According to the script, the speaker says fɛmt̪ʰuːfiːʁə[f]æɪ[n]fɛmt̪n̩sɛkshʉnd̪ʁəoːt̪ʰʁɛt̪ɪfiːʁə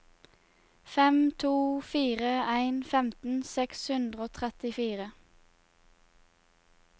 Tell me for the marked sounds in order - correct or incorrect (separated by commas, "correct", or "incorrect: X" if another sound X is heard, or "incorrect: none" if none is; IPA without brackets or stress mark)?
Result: incorrect: none, correct